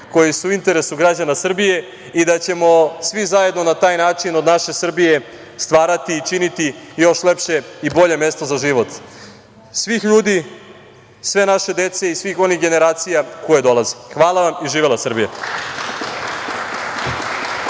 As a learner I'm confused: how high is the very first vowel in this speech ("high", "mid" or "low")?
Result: mid